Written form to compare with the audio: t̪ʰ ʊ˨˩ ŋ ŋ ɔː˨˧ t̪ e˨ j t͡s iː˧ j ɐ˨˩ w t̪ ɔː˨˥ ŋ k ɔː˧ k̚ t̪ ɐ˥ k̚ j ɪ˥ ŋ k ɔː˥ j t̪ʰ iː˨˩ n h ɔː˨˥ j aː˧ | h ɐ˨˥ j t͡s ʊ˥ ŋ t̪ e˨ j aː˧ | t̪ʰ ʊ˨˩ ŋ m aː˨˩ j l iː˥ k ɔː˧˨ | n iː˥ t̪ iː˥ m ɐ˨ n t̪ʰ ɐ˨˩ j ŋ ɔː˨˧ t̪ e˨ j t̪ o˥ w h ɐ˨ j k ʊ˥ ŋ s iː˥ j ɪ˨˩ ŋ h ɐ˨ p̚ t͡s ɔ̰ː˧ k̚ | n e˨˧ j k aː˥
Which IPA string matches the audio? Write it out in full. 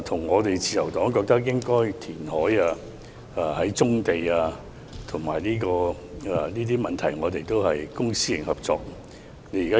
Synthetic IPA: t̪ʰ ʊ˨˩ ŋ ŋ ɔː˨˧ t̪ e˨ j t͡s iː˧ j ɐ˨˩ w t̪ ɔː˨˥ ŋ k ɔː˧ k̚ t̪ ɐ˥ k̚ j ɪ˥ ŋ k ɔː˥ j t̪ʰ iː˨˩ n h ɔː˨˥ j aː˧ | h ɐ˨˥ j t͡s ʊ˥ ŋ t̪ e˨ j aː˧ | t̪ʰ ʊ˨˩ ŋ m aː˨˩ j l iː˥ k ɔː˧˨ | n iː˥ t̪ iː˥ m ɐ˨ n t̪ʰ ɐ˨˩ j ŋ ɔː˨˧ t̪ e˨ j t̪ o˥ w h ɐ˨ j k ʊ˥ ŋ s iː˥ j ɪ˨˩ ŋ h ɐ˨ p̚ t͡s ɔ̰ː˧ k̚ | n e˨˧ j k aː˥

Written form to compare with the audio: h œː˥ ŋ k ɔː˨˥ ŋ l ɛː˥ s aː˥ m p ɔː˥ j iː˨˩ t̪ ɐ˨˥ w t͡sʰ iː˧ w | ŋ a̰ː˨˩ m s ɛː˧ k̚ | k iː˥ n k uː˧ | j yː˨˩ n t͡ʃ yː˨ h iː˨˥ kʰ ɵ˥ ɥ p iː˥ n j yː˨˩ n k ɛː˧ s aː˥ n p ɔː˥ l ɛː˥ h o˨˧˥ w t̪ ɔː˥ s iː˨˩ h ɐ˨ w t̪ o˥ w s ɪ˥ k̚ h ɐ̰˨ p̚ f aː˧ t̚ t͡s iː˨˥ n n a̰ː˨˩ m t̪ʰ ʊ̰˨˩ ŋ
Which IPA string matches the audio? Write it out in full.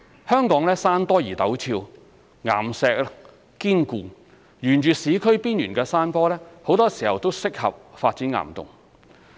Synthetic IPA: h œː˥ ŋ k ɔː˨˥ ŋ l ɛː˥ s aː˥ n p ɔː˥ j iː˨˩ t̪ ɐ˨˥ w t͡sʰ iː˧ w | ŋ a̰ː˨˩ m s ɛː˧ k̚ | k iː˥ n k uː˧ | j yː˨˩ n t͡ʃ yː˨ s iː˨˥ kʰ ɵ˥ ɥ p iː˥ n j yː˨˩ n k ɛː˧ s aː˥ n p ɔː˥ l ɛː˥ h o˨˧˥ w t̪ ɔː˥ s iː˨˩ h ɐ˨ w t̪ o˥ w s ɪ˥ k̚ h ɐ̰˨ p̚ f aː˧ t̚ t͡s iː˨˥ n ŋ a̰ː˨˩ m t̪ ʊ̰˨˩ ŋ

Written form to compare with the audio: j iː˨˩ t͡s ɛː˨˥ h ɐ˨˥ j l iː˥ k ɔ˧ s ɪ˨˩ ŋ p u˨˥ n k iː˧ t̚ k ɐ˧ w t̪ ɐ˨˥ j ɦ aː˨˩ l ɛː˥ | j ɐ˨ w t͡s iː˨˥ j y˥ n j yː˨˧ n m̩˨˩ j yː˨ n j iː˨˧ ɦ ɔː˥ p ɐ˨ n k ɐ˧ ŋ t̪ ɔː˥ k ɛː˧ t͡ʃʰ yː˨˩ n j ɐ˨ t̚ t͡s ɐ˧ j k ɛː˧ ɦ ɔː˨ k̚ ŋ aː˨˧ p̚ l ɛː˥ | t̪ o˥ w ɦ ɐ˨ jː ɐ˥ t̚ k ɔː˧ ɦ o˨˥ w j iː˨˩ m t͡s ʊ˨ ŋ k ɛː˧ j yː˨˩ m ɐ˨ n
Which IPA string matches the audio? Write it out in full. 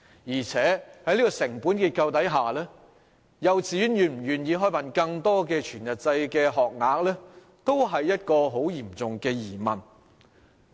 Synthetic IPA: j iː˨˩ t͡sʰ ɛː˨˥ h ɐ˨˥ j l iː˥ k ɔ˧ s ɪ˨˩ ŋ p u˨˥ n k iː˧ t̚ k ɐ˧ w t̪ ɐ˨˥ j ɦ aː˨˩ l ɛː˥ | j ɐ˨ w t͡s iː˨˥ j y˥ n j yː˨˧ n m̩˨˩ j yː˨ n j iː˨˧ ɦ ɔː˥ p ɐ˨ n k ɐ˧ ŋ t̪ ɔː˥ k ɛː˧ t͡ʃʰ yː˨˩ n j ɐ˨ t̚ t͡s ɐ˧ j k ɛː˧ ɦ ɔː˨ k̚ ŋ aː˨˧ k̚ l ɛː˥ | t̪ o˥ w ɦ ɐ˨ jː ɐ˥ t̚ k ɔː˧ ɦ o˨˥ w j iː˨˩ m t͡s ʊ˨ ŋ k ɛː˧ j iː˨˩ m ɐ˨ n

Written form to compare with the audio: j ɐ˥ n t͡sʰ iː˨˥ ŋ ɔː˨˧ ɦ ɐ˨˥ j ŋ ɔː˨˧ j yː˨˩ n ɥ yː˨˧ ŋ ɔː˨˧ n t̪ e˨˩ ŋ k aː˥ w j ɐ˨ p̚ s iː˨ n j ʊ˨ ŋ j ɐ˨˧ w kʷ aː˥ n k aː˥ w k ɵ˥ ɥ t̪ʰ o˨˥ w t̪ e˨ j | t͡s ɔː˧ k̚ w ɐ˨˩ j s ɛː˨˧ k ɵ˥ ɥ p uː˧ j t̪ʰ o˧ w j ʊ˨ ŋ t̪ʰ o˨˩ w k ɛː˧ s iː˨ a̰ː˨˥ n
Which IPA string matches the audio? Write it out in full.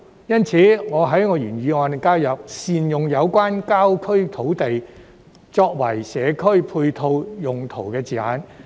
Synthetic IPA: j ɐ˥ n t͡sʰ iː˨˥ ŋ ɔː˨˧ ɦ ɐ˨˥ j ŋ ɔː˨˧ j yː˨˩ n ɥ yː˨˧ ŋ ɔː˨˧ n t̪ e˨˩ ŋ k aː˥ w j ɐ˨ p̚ s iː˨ n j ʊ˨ ŋ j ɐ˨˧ w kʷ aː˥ n k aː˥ w kʰ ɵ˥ ɥ t̪ʰ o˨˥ w t̪ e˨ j | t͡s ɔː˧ k̚ w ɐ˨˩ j s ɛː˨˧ kʰ ɵ˥ ɥ pʰ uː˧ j t̪ʰ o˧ w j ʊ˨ ŋ t̪ʰ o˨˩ w k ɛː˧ t͡s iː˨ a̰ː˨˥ n

